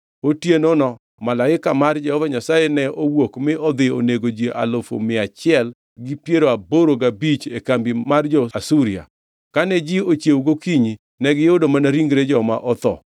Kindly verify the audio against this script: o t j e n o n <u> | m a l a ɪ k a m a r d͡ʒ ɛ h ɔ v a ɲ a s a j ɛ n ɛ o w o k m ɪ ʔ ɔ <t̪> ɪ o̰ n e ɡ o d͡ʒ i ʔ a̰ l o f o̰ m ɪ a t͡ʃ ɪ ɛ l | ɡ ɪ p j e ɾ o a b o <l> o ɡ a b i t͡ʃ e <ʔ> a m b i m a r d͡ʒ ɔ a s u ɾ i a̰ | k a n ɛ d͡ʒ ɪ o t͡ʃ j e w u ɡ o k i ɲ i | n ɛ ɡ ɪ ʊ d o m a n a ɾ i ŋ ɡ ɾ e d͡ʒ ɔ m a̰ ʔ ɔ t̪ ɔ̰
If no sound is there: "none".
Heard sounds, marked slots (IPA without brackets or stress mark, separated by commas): ɔ, d̪, ɾ, k